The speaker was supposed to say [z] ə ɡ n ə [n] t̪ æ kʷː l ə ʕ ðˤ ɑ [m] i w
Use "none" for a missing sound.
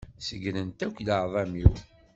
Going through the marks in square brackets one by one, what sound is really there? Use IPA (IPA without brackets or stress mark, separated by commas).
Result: s, n, m